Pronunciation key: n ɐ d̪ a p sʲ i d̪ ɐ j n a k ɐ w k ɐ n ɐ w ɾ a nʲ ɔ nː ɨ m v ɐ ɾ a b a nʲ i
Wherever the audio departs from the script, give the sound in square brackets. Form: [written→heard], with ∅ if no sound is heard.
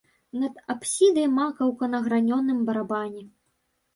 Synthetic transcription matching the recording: n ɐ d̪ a p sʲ i d̪ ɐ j [n→m] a k ɐ w k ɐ n ɐ [w→ɣ] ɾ a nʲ ɔ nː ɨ m [v→b] ɐ ɾ a b a nʲ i